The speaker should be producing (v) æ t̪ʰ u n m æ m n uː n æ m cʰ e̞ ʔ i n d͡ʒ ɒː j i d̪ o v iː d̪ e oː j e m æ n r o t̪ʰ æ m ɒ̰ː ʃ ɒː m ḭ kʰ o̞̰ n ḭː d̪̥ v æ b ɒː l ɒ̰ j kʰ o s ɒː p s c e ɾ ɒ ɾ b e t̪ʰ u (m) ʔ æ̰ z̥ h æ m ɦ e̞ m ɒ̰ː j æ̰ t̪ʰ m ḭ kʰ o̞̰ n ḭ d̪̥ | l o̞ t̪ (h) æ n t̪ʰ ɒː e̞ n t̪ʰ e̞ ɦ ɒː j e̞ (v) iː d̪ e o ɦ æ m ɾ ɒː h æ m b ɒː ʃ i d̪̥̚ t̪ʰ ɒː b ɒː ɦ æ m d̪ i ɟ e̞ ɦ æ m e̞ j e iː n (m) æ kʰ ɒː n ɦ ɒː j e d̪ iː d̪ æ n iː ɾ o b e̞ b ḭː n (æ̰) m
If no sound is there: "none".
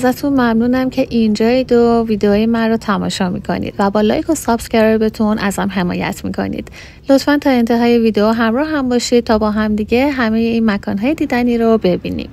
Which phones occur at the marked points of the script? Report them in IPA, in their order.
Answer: z, n, f, v, m, ḭ

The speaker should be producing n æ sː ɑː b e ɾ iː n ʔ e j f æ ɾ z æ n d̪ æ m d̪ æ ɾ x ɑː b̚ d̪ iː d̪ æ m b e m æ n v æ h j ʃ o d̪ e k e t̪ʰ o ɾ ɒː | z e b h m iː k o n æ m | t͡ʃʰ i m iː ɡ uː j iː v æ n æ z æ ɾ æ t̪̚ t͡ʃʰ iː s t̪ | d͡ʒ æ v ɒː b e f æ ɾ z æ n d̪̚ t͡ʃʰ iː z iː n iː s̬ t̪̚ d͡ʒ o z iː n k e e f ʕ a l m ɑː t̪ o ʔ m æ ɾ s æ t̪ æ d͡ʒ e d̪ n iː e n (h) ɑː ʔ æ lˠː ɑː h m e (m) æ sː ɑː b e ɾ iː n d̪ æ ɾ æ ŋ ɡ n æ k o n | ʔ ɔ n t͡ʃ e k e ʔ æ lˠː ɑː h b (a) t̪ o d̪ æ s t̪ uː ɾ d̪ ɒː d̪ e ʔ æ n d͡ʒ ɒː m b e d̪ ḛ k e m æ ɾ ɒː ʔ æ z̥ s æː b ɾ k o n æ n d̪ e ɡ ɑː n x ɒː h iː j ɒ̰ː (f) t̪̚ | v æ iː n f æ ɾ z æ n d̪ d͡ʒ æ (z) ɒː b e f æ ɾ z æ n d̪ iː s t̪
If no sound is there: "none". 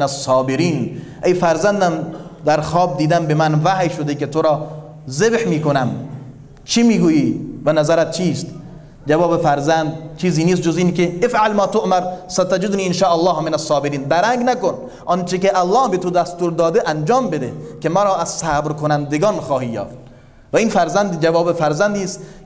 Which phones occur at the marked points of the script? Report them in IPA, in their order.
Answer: ʃ, n, e, f, v

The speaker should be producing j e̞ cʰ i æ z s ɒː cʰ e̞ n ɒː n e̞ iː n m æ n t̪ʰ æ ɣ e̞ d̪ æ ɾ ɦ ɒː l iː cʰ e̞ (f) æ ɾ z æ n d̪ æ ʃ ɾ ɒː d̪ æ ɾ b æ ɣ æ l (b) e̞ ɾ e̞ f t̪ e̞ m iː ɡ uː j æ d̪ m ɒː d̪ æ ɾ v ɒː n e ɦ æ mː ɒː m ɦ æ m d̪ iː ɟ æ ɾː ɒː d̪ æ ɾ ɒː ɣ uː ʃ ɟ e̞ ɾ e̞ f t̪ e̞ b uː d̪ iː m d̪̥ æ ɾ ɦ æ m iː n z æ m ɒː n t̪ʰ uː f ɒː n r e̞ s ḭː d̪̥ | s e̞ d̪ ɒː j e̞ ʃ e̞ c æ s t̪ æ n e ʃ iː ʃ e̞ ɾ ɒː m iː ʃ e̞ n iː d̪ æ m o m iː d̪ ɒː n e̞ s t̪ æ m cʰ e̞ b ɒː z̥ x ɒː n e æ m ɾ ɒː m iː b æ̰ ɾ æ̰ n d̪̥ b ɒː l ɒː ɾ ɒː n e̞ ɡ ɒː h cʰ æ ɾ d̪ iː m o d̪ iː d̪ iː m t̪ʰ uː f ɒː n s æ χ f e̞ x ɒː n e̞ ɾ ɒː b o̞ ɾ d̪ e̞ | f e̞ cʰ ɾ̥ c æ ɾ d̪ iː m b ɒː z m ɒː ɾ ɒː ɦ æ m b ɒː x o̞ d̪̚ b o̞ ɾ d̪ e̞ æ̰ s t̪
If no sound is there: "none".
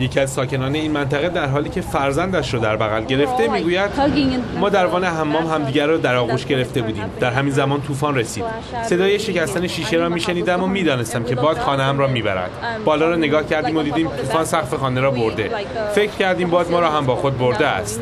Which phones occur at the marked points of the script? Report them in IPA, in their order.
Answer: f, ɟ

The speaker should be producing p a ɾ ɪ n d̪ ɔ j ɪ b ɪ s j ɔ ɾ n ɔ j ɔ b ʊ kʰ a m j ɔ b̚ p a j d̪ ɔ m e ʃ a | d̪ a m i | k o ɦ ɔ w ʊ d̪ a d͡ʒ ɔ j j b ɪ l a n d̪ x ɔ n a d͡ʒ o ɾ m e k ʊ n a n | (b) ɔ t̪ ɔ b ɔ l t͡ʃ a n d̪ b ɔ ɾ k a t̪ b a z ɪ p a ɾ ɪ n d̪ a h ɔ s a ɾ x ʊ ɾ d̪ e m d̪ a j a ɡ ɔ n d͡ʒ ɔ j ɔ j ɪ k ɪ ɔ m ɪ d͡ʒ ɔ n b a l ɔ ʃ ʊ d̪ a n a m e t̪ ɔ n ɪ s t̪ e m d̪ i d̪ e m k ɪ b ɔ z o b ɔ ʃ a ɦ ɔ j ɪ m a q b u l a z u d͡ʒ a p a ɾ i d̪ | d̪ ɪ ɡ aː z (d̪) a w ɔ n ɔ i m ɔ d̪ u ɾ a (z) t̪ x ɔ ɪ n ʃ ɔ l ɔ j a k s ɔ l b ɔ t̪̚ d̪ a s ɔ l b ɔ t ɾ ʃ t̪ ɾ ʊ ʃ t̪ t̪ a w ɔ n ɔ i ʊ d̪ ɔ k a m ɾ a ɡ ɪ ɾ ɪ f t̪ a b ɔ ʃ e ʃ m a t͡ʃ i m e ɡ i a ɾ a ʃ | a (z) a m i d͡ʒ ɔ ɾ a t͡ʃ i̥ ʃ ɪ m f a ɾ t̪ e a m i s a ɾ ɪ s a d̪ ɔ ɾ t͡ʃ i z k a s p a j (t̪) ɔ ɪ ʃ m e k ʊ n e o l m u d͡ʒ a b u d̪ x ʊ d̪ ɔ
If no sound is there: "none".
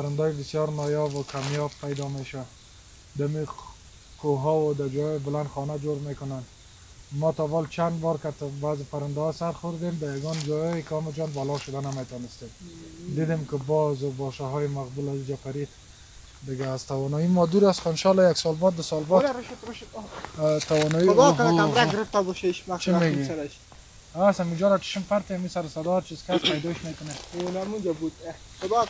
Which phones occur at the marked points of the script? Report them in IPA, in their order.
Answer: m, t̪, s, s, d̪

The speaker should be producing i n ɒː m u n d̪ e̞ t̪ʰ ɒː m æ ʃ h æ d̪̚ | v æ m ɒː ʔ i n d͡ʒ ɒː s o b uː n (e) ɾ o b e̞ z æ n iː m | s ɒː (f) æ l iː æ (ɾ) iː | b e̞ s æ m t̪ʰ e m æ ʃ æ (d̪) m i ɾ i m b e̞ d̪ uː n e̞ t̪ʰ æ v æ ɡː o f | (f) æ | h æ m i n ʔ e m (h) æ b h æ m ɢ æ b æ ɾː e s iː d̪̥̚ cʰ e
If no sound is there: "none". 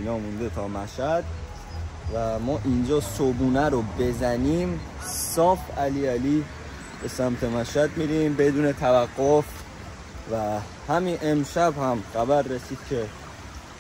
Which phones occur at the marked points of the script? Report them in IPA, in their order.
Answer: æ, f, l, d̪, v, ʃ

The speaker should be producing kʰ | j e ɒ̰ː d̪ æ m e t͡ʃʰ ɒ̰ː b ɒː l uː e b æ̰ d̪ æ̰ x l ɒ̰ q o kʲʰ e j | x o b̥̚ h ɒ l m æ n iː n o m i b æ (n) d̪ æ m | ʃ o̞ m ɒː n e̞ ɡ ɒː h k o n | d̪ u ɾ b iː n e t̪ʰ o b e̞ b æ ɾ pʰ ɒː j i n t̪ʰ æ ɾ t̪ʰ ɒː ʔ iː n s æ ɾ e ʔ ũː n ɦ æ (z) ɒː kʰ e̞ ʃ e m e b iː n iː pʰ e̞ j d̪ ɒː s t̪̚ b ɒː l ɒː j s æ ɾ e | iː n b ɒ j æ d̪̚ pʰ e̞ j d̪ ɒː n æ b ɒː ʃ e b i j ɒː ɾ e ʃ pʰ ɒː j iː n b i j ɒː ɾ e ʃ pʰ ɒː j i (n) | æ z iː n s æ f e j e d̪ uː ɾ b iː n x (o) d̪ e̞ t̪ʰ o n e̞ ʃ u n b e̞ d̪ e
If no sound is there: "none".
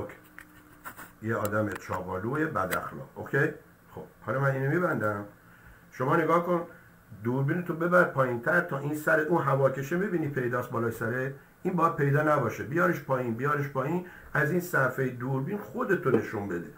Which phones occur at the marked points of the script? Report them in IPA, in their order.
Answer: n, v, n, o

